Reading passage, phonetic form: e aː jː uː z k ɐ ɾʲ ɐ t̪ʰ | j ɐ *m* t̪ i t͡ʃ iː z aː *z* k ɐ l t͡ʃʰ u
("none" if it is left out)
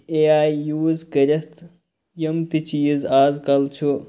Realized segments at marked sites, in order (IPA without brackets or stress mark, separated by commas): m, z